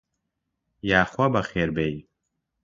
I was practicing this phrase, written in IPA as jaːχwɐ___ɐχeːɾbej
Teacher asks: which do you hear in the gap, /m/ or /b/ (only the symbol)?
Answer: b